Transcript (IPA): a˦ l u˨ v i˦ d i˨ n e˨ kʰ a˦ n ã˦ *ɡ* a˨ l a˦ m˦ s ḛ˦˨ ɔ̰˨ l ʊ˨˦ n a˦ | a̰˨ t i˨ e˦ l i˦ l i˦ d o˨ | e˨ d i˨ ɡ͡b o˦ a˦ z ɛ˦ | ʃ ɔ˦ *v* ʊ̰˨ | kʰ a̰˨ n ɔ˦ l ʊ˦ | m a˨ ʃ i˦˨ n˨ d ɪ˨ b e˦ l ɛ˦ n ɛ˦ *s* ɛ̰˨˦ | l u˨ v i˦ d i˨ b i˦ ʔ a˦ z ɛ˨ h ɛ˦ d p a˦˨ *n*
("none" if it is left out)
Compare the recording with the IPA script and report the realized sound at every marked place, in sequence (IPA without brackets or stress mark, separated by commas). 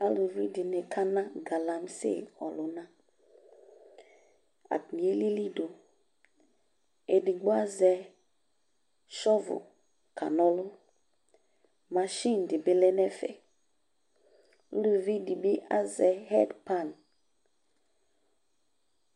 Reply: ɡ, v, f, n